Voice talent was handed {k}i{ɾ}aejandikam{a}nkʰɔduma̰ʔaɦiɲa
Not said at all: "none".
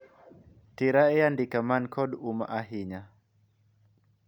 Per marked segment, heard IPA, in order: t, ɾ, a

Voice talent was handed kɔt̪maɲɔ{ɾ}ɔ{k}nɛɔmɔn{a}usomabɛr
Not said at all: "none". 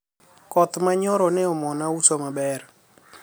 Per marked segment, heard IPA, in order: ɾ, none, a

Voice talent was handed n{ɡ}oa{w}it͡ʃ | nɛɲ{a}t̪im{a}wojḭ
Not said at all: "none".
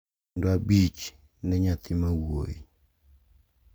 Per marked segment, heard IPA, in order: d, b, a, a

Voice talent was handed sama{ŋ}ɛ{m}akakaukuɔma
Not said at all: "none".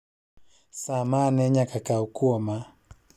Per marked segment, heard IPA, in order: n, ɲ

